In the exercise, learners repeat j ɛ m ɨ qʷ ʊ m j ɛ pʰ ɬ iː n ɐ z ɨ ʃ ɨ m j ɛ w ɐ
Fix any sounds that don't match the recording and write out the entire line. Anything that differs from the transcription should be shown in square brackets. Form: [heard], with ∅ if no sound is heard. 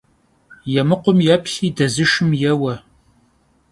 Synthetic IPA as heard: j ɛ m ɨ qʷ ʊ m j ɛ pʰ ɬ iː [d] ɐ z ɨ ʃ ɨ m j ɛ w ɐ